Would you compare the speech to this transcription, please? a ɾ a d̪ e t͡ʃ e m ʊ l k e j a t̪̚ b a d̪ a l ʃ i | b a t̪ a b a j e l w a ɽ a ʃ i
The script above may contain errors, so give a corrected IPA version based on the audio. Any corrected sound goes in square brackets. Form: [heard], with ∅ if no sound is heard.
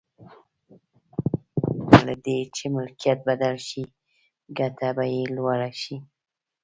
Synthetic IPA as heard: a [l] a d̪ e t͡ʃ e m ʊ l k [i] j a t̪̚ b a d̪ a l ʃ i | [ɡ] a t̪ a b a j e l w a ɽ a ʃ i